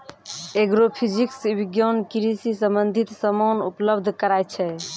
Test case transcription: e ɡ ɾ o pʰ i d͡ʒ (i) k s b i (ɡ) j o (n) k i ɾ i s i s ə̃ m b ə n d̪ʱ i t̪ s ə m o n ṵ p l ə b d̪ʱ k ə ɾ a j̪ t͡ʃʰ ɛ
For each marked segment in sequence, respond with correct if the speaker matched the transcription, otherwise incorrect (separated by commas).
correct, correct, correct